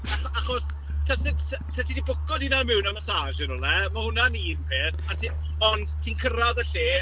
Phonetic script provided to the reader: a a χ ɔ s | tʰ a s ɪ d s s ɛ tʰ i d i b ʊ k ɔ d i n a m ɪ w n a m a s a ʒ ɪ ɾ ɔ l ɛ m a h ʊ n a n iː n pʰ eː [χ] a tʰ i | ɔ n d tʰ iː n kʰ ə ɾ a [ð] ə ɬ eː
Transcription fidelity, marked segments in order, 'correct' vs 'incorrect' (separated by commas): incorrect, correct